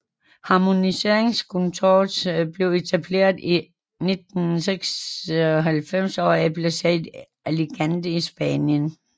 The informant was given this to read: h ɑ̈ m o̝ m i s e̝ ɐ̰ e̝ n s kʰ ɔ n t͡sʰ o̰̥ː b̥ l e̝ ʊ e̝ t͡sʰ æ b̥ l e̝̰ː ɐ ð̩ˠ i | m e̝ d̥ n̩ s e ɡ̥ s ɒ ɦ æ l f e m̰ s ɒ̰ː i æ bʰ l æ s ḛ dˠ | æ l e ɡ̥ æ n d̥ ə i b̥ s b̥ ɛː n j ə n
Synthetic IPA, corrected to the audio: h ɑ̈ m o̝ n i s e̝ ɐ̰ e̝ ŋ s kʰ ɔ n t͡sʰ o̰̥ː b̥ l e̝ ʊ e̝ t͡sʰ æ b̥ l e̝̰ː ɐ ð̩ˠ i | n e̝ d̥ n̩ s e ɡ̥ s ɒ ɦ æ l f e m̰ s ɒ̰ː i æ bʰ l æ s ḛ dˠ | æ l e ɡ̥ æ n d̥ ə i s b̥ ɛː n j ə n